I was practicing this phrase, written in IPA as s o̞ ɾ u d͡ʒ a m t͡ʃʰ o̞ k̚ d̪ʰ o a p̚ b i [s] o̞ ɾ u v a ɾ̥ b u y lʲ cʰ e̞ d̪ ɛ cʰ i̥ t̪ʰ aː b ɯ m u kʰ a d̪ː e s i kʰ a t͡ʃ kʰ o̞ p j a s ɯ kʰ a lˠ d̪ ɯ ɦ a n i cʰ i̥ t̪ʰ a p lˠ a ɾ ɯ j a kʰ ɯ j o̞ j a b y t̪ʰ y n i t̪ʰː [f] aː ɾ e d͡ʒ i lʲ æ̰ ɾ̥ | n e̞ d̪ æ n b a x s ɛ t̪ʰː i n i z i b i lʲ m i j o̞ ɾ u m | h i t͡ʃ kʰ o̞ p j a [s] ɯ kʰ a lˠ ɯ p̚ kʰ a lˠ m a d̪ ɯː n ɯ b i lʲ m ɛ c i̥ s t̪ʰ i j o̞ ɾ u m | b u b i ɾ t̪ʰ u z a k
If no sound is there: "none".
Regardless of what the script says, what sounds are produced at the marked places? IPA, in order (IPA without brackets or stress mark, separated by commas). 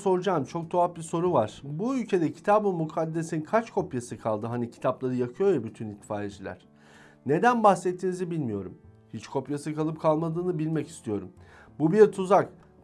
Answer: s, f, s